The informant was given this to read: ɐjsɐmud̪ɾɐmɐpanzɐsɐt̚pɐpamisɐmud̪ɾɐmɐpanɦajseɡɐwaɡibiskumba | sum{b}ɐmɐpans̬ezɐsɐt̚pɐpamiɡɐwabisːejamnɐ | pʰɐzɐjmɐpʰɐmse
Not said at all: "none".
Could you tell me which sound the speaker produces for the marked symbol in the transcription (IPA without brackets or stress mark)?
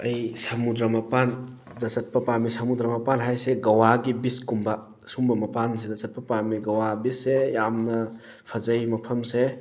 b